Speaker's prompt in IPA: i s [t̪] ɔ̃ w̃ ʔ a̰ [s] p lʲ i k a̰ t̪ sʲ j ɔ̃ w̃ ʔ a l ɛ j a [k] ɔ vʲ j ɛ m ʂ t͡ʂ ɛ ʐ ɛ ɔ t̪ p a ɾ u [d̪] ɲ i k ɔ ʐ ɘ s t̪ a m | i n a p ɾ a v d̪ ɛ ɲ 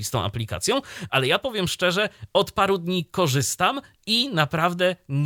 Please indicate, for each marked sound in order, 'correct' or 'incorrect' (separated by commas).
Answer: correct, incorrect, incorrect, correct